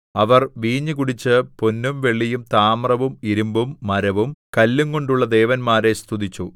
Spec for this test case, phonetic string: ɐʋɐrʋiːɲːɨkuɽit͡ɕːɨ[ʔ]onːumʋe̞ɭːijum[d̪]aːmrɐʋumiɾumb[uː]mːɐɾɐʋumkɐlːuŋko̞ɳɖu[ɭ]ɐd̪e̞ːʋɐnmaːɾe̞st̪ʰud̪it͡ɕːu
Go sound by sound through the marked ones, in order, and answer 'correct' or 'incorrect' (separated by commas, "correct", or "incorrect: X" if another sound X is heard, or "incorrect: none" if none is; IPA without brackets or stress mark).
incorrect: p, incorrect: t̪, incorrect: u, incorrect: ɭː